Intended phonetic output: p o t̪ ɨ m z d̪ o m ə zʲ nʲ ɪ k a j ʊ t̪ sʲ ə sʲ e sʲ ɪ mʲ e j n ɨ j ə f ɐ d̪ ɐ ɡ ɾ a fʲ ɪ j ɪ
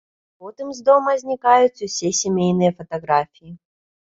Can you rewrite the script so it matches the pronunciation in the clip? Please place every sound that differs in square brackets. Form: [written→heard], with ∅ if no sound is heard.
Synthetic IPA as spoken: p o t̪ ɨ m z d̪ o m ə zʲ nʲ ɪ k a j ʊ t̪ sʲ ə sʲ e sʲ ɪ mʲ e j n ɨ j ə f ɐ [d̪→t̪] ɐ ɡ ɾ a fʲ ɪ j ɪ